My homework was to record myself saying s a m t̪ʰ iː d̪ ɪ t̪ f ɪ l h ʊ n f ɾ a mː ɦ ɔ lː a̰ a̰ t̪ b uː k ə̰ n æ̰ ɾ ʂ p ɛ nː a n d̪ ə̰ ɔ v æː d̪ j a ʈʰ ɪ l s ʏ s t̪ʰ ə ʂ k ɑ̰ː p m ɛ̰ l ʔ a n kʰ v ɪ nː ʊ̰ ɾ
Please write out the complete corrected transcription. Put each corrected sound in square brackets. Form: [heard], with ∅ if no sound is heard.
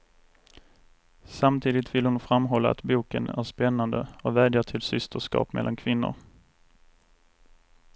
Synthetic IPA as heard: s a m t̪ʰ iː d̪ ɪ t̪ [v] ɪ l h ʊ n f ɾ a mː ɦ ɔ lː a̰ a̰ t̪ b uː k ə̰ n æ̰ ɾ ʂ p ɛ nː a n d̪ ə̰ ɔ v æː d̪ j a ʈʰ ɪ l s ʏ s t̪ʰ ə ʂ k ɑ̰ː p m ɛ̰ l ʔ a n kʰ v ɪ nː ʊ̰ ɾ